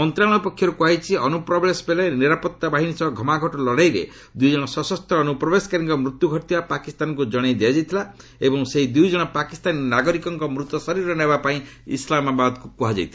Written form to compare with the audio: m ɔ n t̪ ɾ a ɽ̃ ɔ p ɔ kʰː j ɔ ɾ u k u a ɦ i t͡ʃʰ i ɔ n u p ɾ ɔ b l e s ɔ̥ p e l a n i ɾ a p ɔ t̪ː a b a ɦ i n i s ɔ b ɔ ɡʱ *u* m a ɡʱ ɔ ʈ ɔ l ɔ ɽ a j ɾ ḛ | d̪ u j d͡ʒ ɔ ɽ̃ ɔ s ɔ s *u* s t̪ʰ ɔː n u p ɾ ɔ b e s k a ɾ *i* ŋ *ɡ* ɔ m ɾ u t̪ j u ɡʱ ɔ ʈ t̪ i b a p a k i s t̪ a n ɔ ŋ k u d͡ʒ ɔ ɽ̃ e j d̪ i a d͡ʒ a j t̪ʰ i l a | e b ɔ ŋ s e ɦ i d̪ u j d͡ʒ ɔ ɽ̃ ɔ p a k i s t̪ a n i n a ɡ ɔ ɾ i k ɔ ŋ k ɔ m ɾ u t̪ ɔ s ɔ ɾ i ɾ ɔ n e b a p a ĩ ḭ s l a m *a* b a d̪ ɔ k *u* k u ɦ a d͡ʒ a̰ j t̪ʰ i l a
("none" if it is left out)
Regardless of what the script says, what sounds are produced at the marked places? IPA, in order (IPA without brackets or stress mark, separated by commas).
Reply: ɔ, ɔ, i, k, a, u